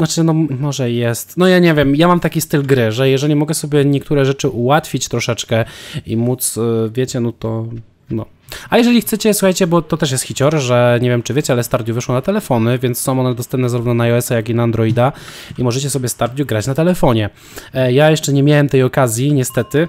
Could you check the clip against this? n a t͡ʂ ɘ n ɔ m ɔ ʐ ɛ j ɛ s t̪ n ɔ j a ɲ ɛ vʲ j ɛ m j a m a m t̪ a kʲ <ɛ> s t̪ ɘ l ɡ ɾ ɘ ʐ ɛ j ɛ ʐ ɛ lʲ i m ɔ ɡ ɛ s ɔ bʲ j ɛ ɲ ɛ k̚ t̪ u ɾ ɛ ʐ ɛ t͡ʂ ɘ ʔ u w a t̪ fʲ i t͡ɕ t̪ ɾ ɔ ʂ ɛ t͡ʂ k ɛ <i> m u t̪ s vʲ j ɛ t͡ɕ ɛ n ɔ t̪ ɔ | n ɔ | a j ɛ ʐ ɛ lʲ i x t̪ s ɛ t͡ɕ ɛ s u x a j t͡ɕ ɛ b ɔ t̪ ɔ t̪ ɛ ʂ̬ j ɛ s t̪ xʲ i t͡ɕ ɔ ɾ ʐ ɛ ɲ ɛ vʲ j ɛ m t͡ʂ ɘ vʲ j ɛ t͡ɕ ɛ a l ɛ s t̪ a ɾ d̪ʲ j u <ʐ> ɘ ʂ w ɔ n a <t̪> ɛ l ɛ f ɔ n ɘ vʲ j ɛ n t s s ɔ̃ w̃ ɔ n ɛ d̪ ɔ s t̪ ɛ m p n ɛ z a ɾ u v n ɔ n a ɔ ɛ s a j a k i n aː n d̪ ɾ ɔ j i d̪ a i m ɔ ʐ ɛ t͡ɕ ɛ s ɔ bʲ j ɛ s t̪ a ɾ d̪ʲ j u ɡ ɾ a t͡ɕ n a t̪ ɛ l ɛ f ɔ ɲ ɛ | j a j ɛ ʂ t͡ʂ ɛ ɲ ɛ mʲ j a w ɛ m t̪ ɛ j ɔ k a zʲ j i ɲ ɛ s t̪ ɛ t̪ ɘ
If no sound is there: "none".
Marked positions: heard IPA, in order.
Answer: i, i, v, t̪

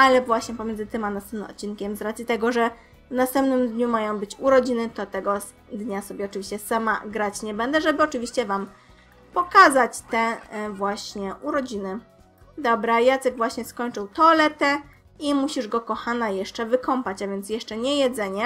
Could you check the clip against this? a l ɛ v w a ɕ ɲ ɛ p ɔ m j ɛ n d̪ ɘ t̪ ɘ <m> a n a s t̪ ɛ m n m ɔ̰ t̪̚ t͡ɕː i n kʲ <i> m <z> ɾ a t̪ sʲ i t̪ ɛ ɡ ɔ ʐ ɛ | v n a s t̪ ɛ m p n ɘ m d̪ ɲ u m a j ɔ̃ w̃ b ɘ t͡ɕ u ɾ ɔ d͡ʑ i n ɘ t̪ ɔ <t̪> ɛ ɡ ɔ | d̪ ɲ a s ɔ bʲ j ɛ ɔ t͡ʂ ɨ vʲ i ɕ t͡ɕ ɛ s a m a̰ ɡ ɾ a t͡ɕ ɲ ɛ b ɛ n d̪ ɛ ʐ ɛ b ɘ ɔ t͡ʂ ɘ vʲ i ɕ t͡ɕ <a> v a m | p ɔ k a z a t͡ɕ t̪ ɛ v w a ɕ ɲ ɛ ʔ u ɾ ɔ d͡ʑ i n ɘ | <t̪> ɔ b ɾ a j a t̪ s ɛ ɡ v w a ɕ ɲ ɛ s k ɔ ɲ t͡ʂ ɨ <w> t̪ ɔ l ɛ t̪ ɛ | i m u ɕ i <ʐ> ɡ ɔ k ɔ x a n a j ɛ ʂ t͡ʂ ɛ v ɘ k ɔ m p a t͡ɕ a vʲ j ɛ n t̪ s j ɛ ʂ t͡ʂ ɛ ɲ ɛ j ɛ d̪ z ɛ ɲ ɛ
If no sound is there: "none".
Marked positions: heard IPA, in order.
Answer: m, ɛ, z, t̪, ɛ, d̪, w, ʐ

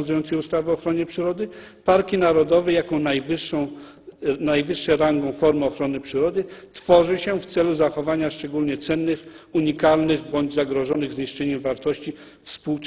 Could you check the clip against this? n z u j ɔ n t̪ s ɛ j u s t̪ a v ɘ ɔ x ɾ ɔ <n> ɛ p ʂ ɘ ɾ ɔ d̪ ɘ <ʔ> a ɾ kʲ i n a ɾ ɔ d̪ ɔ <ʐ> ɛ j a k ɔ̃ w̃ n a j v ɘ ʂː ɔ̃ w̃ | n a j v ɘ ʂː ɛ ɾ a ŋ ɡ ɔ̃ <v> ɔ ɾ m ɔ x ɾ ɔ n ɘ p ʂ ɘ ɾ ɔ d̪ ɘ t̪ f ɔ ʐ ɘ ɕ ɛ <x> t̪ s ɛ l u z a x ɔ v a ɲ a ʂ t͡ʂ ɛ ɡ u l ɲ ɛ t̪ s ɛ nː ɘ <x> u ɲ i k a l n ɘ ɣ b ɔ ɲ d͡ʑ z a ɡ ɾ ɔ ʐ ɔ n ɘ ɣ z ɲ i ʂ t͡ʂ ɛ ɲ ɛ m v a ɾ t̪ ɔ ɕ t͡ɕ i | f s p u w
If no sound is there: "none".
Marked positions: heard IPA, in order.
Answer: ɲ, p, v, f, f, x

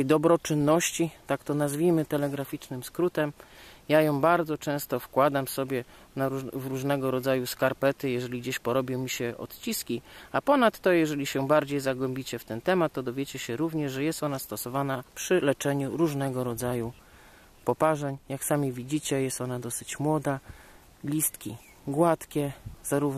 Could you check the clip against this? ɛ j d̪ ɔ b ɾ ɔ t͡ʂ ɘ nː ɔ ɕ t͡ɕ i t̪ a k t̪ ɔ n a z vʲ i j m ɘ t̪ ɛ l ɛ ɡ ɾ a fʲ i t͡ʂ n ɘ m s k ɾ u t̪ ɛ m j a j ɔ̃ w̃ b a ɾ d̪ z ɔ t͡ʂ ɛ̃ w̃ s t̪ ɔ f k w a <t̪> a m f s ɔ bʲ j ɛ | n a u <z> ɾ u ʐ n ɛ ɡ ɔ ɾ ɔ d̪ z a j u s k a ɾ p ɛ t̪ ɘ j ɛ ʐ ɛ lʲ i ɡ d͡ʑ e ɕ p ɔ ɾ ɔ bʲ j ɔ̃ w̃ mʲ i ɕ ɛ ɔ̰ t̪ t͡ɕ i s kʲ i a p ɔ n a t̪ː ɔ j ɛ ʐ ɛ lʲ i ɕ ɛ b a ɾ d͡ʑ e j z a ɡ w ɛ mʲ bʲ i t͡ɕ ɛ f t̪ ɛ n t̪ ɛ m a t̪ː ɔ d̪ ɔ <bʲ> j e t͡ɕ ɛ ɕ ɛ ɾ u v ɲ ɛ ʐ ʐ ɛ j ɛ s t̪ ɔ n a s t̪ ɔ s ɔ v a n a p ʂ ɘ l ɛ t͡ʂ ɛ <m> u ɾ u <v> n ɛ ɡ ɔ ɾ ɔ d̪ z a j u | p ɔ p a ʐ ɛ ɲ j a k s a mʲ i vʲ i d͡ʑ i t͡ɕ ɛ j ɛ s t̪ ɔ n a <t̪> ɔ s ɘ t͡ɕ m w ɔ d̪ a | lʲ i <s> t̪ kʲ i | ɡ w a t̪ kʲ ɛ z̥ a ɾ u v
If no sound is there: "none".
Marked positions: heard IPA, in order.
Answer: d̪, v, vʲ, ɲ, ʐ, d̪, s

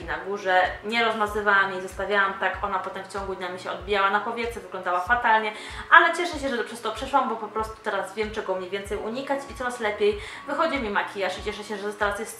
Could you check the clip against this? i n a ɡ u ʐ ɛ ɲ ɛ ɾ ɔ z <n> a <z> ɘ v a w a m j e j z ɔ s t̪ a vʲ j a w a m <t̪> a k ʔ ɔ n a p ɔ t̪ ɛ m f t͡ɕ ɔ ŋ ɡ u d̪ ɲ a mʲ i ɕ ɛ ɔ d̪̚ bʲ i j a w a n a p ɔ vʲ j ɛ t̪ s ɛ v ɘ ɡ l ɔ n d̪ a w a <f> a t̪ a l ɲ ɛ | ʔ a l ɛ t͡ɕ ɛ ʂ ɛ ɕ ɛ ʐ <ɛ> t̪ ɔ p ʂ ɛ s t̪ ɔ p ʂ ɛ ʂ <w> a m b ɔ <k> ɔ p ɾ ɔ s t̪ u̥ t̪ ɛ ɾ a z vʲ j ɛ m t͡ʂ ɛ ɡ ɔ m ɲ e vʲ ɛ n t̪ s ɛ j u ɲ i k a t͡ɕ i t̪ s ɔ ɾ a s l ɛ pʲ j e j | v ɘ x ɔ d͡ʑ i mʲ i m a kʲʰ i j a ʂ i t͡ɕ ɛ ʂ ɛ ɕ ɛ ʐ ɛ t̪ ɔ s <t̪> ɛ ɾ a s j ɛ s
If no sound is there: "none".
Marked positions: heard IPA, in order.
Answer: m, z, t̪, f, ɛ, w, p, t̪

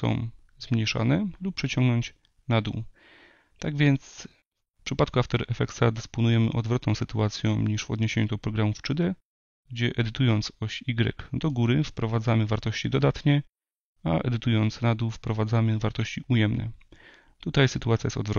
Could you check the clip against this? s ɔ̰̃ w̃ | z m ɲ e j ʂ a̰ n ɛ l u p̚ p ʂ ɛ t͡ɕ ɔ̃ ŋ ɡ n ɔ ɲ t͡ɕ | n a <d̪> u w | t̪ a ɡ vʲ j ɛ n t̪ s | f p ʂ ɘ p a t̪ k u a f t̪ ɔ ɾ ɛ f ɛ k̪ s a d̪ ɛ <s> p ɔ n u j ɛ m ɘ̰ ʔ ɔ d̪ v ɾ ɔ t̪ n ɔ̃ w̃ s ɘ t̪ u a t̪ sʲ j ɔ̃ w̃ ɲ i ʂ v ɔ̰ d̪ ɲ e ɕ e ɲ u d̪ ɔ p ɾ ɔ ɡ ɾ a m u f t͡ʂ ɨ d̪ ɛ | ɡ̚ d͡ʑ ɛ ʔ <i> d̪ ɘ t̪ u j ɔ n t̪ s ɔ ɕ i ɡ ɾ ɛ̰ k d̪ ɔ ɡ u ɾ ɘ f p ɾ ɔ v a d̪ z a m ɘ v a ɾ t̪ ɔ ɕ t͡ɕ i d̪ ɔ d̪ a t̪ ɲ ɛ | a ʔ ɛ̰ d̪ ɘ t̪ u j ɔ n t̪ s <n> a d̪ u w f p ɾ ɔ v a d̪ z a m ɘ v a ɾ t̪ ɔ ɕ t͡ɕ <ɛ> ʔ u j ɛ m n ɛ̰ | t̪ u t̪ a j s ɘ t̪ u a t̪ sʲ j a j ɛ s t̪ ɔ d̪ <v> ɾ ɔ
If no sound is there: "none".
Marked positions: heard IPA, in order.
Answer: d̪, s, ɛ, n, i, v

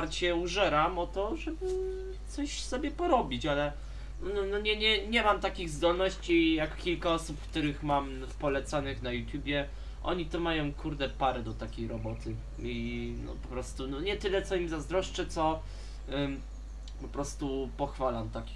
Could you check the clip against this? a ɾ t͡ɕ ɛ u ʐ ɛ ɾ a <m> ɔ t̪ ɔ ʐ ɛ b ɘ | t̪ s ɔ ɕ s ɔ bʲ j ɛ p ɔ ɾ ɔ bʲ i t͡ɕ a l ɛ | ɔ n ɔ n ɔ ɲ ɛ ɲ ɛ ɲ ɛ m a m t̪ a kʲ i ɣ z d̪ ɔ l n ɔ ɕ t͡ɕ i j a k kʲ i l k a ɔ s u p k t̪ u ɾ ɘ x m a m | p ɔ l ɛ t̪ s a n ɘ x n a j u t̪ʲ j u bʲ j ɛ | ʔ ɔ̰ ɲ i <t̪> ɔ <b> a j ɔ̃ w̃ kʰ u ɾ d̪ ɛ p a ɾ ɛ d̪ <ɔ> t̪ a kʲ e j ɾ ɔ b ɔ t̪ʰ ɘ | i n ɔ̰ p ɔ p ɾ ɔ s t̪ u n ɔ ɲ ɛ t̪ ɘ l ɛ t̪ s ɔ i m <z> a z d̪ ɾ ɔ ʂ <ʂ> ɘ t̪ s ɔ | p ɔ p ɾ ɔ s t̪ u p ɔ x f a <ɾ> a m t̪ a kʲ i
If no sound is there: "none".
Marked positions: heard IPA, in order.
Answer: m, t̪, m, ɔ, z, t͡ʂ, l

